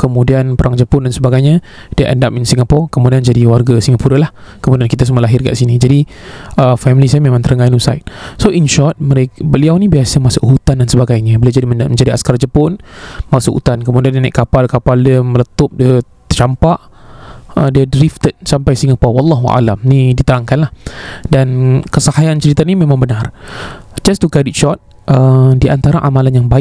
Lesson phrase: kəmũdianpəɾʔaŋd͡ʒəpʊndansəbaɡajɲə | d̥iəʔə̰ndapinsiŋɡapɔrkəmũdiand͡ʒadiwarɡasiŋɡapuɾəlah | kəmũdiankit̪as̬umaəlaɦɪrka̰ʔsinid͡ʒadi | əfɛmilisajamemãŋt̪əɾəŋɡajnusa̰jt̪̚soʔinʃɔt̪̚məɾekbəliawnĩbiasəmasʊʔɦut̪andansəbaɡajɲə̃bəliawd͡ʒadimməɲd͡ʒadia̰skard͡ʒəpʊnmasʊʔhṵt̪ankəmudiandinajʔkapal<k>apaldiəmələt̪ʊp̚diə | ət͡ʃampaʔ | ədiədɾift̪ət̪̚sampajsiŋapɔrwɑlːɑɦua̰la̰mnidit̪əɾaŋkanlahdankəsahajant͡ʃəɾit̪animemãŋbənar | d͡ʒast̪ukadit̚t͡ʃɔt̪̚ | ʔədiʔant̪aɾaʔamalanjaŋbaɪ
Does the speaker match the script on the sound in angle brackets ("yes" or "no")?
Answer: yes